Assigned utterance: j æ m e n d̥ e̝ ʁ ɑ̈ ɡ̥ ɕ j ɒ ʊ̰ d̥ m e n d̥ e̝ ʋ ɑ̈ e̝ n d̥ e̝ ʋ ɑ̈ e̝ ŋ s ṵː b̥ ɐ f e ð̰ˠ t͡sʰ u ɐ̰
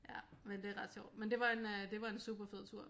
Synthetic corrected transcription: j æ m e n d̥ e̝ ʁ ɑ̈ d̥ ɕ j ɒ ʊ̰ d̥ m e n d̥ e̝ ʋ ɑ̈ e̝ n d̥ e̝ ʋ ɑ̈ e̝ n s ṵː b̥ ɐ f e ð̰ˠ t͡sʰ u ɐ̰